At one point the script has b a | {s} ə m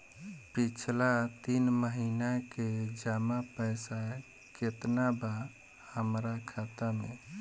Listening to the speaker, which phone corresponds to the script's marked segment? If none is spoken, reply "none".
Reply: h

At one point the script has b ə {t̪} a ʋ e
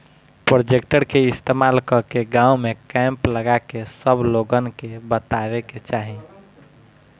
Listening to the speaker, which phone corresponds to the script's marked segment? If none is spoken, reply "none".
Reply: t̪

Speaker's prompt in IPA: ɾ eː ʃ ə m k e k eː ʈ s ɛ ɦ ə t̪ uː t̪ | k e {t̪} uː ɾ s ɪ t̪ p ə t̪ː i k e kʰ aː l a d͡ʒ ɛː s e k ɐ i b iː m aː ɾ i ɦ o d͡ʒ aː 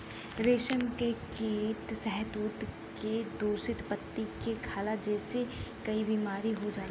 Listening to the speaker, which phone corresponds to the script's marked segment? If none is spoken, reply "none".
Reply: d̪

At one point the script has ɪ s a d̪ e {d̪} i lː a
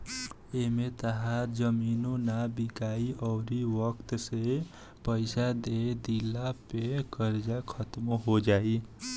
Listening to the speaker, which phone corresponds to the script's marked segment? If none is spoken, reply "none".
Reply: d̪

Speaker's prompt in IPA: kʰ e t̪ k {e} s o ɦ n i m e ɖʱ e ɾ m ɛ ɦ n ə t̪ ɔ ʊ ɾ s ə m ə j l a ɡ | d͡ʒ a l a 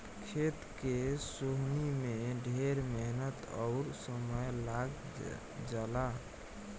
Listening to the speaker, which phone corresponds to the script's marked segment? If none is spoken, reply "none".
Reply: e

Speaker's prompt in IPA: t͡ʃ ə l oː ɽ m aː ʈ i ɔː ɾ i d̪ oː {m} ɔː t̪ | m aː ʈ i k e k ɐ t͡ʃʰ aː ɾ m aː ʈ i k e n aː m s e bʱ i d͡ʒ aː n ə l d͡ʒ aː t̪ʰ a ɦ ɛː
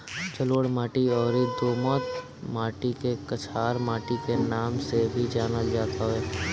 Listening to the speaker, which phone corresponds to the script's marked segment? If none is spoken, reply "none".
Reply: m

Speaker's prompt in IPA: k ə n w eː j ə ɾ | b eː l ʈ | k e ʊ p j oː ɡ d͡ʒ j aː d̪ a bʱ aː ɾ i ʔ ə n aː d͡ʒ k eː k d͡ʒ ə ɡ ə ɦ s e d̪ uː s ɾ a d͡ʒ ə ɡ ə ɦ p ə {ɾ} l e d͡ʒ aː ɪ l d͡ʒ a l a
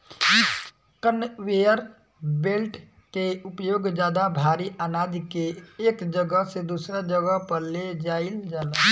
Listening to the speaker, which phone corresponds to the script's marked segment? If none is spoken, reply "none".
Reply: ɾ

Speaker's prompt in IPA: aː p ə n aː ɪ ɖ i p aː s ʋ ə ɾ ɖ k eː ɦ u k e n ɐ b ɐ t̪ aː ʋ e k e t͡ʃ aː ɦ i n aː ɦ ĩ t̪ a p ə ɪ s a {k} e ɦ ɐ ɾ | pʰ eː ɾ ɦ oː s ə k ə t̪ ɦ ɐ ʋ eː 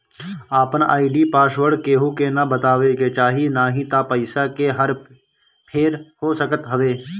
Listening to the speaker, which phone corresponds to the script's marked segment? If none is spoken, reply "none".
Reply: k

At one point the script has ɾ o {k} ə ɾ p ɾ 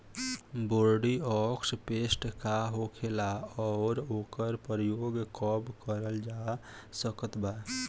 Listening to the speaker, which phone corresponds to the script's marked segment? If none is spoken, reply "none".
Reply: k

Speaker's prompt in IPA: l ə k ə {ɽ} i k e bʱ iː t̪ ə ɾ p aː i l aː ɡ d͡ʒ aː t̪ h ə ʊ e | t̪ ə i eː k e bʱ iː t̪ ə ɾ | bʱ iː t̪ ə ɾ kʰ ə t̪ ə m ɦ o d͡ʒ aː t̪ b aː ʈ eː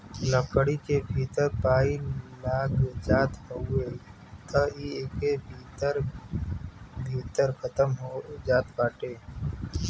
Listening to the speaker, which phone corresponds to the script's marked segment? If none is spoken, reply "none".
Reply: ɽ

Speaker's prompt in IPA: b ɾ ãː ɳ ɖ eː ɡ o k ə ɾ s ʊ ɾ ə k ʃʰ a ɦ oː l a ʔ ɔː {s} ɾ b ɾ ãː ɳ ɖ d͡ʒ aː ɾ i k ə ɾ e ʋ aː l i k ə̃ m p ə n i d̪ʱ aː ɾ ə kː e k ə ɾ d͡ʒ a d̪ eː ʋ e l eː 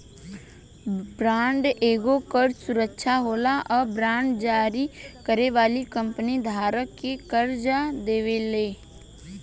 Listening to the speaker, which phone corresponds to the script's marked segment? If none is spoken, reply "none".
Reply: none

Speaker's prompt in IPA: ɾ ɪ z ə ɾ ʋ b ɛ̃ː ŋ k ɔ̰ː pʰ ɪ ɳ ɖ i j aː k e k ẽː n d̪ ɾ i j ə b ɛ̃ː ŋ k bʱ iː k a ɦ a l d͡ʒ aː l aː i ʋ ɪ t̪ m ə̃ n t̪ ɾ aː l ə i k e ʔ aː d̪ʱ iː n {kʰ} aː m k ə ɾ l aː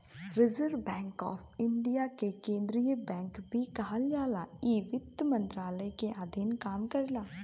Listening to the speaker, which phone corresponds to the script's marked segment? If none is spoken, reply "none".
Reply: k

